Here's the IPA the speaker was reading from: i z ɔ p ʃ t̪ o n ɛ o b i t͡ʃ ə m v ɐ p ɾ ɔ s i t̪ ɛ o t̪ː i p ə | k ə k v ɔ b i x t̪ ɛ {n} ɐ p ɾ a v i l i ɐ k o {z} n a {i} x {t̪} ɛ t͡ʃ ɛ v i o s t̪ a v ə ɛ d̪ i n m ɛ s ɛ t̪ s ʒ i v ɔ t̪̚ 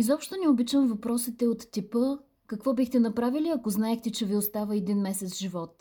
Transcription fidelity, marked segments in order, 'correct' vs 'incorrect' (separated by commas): correct, correct, incorrect, correct